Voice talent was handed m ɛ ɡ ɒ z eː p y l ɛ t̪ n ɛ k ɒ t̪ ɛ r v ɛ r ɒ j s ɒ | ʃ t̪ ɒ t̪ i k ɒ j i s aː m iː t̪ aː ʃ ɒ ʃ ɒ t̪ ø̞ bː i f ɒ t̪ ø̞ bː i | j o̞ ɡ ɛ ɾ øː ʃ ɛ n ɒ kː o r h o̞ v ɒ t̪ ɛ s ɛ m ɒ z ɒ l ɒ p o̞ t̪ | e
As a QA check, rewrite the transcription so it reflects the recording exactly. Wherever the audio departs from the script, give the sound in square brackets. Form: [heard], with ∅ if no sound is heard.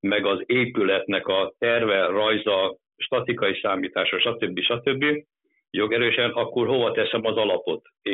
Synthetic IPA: m ɛ ɡ ɒ z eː p y l ɛ t̪ n ɛ k ɒ t̪ ɛ r v ɛ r ɒ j [z] ɒ | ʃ t̪ ɒ t̪ i k ɒ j i s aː m iː t̪ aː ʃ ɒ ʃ ɒ t̪ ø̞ bː i [ʃ] ɒ t̪ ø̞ bː i | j o̞ ɡ ɛ ɾ øː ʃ ɛ n ɒ kː o r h o̞ v ɒ t̪ ɛ s ɛ m ɒ z ɒ l ɒ p o̞ t̪ | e